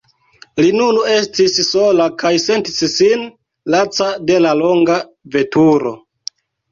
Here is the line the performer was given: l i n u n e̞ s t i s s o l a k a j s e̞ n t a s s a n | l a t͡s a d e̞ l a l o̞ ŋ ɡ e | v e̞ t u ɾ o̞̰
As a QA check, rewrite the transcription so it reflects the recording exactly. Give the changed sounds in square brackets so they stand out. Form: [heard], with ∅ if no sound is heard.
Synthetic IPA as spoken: l i n u n e̞ s t i s s o l a k a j s e̞ n t [i] s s [i] n | l a t͡s a d e̞ l a l o̞ ŋ ɡ [a] | v e̞ t u ɾ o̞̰